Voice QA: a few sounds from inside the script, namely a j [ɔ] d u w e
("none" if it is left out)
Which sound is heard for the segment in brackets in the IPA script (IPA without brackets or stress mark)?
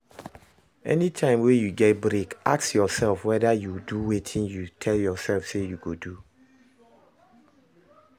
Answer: u